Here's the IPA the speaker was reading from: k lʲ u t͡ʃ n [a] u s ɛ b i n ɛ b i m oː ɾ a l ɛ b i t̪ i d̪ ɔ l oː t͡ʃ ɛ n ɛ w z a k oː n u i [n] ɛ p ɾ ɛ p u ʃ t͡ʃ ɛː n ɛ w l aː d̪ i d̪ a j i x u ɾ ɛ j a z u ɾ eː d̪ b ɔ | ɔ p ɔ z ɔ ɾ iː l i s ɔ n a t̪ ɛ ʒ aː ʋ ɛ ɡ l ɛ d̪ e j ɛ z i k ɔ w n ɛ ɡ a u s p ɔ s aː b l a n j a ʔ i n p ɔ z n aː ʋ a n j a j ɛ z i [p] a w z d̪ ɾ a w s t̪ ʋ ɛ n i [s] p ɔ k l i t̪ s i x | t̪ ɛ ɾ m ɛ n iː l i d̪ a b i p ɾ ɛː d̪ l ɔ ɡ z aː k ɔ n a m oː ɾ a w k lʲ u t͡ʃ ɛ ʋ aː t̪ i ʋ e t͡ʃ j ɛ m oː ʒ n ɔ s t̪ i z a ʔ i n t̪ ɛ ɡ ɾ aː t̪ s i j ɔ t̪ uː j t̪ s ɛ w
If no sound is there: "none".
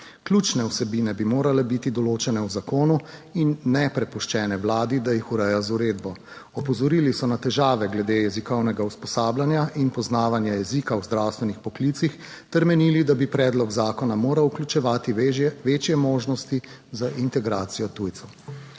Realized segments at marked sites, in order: ɛ, nː, k, x

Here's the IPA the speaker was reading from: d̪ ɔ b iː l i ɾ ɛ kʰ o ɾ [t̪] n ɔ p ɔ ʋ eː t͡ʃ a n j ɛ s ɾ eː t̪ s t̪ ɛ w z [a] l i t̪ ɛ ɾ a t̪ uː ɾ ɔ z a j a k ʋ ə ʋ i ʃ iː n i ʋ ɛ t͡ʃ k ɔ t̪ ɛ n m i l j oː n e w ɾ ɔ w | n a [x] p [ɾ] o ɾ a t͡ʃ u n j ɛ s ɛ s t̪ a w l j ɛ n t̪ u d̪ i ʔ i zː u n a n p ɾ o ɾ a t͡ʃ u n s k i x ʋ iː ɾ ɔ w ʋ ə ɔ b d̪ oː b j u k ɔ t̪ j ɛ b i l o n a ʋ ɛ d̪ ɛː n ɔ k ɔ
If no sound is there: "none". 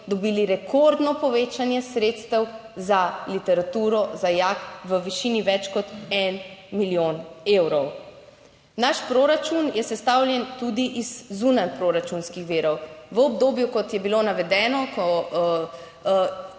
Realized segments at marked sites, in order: d̪, a, ʃ, ɾ

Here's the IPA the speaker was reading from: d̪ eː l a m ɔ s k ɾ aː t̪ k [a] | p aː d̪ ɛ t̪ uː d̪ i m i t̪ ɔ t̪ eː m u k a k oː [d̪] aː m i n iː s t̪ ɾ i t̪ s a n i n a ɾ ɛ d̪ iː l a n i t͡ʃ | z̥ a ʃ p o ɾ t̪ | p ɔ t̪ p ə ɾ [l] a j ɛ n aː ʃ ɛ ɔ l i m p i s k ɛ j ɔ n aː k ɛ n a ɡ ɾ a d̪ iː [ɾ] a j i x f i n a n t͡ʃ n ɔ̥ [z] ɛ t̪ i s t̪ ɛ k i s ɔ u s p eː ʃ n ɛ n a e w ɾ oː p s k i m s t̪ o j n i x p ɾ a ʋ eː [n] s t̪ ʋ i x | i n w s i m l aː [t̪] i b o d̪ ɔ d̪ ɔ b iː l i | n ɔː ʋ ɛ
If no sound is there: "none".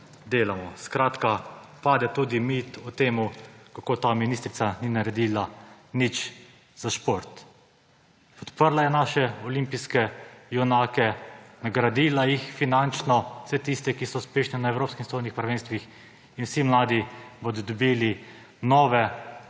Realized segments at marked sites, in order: a, t̪, l, l, s, n, d̪

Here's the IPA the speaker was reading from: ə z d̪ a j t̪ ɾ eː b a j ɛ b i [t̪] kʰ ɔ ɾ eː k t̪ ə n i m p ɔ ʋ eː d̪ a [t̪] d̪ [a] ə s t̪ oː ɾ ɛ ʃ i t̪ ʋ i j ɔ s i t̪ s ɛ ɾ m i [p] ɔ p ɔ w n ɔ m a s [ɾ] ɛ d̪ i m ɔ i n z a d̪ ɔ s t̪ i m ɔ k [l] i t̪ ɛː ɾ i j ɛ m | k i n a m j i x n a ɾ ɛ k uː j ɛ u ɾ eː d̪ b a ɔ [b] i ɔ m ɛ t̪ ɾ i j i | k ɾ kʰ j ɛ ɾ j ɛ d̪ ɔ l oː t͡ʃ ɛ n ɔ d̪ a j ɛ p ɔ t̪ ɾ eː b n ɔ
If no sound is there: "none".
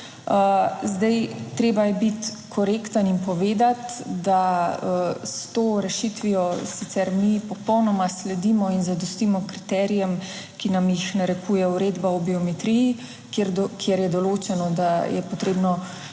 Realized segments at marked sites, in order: t̪, t̪, a, p, l, ɾ, b

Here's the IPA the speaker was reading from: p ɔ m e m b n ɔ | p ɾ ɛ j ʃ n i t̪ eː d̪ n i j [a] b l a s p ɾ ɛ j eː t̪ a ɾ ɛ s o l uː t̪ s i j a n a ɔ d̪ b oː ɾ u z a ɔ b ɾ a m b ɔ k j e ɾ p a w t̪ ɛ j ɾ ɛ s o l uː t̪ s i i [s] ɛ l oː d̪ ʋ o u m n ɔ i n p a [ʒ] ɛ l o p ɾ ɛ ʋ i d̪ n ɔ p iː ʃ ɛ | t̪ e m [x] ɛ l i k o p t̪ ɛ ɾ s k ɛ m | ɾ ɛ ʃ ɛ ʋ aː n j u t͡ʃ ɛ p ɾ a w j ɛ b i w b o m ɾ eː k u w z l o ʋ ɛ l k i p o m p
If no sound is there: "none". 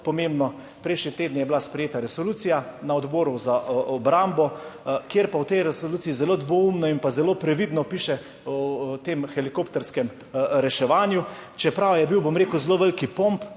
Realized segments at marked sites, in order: ɛ, z, z, x

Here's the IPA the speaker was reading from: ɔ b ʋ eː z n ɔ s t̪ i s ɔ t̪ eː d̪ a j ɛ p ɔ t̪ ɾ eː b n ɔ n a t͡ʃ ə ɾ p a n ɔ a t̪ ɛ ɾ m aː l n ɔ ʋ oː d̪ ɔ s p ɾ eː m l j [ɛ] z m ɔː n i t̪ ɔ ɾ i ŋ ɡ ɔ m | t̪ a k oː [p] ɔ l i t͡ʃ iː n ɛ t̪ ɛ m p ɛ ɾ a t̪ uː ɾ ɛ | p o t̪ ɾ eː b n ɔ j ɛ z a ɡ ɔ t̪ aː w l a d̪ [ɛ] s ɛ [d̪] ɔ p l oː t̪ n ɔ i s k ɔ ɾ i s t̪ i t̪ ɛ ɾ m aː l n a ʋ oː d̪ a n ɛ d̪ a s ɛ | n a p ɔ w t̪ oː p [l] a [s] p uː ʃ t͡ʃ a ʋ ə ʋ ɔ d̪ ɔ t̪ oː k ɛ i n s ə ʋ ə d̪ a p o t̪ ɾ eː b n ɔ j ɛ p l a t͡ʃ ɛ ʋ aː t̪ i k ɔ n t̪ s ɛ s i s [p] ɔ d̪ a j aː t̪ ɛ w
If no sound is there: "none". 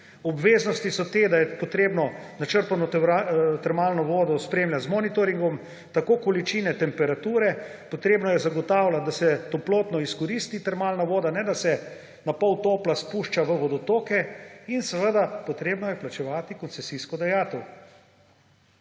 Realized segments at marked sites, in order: a, k, a, t̪, l, s, k

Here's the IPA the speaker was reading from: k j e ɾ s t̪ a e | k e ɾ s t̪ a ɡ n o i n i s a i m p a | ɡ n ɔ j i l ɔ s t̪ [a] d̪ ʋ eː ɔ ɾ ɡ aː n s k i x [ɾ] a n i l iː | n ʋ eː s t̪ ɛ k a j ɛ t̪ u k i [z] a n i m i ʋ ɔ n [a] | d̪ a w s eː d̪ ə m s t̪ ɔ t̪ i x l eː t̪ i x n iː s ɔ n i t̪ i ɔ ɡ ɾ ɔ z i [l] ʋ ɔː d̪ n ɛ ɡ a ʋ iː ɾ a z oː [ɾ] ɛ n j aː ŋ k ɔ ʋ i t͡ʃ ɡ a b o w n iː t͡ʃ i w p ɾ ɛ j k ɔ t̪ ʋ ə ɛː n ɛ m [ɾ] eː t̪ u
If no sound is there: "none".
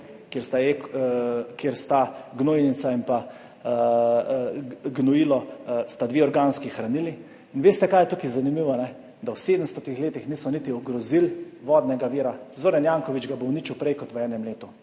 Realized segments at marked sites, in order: a, ɾ, z, ɛ, l, ɾ, l

